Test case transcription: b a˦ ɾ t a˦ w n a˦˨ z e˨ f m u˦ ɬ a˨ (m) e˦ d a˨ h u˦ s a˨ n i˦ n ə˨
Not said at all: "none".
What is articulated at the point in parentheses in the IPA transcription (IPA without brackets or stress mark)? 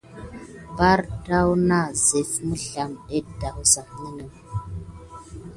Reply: m